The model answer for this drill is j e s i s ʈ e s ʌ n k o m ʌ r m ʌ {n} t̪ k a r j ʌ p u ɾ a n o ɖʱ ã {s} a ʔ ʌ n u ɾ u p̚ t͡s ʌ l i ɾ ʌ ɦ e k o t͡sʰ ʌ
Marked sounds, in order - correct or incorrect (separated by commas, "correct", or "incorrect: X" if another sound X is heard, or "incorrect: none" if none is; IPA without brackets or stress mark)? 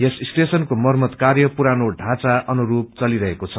incorrect: none, incorrect: t͡s